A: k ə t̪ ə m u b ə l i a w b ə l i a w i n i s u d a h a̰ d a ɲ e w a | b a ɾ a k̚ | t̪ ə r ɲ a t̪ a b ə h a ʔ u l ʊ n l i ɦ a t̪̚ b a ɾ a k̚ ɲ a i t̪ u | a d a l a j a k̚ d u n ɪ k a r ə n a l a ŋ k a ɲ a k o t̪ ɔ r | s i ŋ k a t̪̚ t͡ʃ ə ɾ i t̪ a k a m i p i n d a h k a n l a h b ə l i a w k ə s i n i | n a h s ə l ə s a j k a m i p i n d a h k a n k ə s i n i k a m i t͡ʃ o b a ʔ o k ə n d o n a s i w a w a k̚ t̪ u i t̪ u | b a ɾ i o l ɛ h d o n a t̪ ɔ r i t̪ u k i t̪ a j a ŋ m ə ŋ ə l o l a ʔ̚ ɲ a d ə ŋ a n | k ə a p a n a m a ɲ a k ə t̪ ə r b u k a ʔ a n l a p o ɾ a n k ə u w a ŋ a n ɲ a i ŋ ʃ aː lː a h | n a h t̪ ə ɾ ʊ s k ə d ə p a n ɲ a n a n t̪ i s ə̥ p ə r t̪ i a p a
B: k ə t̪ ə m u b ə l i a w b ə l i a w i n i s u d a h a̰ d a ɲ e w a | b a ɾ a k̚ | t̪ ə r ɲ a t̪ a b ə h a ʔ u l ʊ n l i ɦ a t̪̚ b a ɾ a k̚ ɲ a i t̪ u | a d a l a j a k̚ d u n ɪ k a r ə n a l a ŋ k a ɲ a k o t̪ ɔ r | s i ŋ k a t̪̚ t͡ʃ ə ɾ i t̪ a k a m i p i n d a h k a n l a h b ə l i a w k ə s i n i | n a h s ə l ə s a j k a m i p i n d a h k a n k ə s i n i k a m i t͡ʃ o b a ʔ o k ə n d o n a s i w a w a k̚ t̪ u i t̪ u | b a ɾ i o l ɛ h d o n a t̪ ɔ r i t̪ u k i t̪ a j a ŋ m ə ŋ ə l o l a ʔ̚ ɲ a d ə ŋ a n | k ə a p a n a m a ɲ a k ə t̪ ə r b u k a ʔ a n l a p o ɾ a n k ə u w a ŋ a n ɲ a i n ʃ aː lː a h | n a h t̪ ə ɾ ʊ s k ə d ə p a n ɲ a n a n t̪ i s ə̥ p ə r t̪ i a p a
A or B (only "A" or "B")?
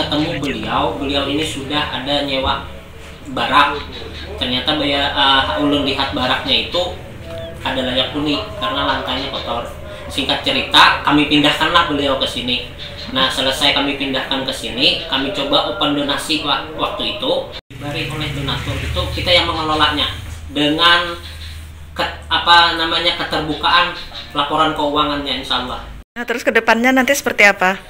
B